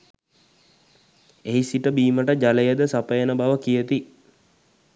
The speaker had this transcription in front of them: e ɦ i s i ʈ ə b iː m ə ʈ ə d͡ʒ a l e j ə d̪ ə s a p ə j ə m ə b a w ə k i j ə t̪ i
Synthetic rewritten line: e ɦ i s i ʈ ə b iː m ə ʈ ə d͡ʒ a l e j ə d̪ ə s a p ə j ə n ə b a ʋ ə k i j ə t̪ i

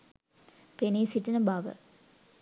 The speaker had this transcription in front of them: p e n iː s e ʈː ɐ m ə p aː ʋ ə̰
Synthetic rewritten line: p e n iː s i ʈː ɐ n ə b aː ʋ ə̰

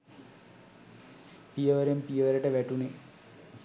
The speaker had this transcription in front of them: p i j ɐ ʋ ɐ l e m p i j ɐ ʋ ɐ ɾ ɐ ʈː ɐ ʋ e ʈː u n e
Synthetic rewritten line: p i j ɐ ʋ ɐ ɾ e m p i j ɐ ʋ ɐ ɾ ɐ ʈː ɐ ʋ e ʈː u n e

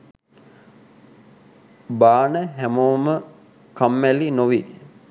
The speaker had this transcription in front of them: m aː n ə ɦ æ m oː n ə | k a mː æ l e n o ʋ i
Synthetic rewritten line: b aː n ə ɦ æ m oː m ə | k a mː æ l i n o ʋ i

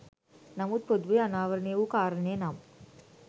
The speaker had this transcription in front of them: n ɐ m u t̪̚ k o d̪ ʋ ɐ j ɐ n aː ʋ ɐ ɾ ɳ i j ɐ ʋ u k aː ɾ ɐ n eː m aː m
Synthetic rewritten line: n ɐ m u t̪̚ p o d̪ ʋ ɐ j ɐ n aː ʋ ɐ ɾ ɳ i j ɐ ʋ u k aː ɾ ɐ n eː n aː m

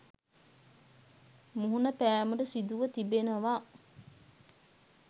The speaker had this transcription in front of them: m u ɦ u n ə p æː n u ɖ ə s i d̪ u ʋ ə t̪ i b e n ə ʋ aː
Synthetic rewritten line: m u ɦ u n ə p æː m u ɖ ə s i d̪ u ʋ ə t̪ i b e n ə ʋ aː

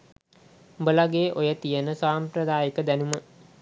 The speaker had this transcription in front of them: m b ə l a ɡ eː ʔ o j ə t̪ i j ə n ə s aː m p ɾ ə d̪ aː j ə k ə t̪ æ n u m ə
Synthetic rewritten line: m b ə l a ɡ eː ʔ o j ə t̪ i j ə n ə s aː m p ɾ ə d̪ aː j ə k ə d̪ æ n u m ə

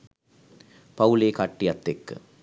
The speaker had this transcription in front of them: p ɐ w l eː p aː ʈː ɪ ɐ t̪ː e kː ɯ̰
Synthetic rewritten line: p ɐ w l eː k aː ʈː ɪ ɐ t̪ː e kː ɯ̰

